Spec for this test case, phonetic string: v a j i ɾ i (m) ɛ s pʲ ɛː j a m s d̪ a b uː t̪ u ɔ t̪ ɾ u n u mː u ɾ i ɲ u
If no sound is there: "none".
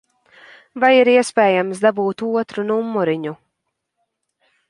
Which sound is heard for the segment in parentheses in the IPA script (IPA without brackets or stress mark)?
none